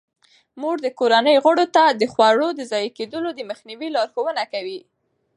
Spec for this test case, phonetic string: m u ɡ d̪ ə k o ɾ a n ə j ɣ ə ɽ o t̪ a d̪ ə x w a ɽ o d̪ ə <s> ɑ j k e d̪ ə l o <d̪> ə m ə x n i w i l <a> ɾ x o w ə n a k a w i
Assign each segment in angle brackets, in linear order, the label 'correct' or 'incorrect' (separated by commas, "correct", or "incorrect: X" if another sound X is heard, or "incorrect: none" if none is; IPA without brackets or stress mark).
incorrect: z, correct, incorrect: ɑ